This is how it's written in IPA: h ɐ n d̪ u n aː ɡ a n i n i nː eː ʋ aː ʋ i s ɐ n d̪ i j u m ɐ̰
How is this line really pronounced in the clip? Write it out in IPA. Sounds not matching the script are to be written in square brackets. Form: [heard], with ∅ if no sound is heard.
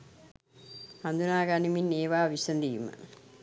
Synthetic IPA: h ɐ n d̪ u n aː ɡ a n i [m] i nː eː ʋ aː ʋ i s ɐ n d̪ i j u m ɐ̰